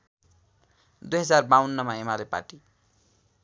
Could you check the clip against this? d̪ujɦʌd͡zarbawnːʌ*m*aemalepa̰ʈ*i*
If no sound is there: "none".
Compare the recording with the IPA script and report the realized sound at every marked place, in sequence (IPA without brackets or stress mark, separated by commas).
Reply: m, i